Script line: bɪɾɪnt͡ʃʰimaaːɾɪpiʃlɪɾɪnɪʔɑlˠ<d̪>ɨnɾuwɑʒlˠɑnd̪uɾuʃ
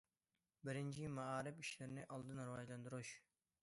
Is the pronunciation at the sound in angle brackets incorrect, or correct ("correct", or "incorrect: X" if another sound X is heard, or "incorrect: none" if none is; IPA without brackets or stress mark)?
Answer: correct